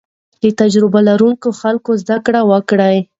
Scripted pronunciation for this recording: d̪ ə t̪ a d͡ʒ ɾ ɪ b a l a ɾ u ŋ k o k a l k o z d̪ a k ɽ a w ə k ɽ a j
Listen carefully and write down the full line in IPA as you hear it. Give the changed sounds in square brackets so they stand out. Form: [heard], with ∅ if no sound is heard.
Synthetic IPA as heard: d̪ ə t̪ a d͡ʒ ɾ ɪ b a l a ɾ u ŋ k o [x] a l k o z d̪ a k ɽ a w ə k ɽ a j

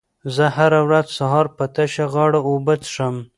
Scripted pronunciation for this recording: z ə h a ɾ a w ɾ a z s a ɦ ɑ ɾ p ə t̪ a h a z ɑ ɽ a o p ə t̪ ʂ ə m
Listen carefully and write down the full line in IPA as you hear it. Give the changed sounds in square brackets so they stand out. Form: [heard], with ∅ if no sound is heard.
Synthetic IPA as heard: z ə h a ɾ a w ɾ a z s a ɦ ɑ ɾ p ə t̪ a [ʃ] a [ɣ] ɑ ɽ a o [b] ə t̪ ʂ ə m

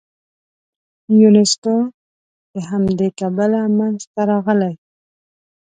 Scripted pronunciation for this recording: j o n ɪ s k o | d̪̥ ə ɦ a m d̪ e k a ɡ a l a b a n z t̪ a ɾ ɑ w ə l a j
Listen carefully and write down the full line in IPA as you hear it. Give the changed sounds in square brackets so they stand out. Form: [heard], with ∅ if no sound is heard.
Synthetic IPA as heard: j [u] n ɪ s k o | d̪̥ ə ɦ a m d̪ e k a [b] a l a [m] a n z t̪ a ɾ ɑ [ɣ] ə l a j

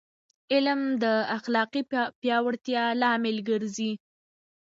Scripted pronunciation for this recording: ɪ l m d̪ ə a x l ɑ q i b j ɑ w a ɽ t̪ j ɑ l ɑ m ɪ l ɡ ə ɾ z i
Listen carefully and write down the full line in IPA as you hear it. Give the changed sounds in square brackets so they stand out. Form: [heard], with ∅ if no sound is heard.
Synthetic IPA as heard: ɪ l m d̪ ə a x l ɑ q i [p] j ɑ w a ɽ t̪ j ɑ l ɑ m ɪ l ɡ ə ɾ z i

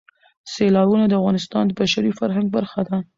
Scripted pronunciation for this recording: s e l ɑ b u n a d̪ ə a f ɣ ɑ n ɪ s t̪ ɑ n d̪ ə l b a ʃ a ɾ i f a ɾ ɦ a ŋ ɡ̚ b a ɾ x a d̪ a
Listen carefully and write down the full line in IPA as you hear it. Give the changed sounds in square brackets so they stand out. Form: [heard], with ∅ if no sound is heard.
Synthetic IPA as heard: s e l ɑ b u n a d̪ ə a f ɣ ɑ n ɪ s t̪ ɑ n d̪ ə [∅] b a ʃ a ɾ i f a ɾ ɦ a ŋ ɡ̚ b a ɾ x a d̪ a

